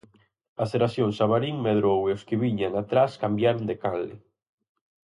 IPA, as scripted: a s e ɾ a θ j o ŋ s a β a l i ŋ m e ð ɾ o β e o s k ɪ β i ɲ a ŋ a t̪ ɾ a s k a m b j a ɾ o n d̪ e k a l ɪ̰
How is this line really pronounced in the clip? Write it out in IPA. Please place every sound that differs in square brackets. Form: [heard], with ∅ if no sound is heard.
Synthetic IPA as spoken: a s e ɾ a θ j o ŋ s a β a [ɾ] i ŋ m e ð ɾ o [w] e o s k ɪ β i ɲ a ŋ a t̪ ɾ a s k a m b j a ɾ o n d̪ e k a l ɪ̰